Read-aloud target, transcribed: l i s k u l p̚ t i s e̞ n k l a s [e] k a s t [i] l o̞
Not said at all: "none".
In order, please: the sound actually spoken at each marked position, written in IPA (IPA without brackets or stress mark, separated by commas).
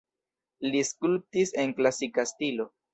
i, i